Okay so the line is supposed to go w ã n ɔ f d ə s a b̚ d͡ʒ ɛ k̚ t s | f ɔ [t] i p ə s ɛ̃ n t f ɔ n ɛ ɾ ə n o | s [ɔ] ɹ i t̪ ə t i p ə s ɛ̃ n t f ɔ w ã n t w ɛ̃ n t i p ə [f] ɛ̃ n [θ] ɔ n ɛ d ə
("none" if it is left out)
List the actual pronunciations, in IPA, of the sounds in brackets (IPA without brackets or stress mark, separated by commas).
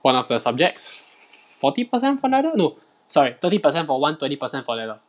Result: t, ɔ, s, f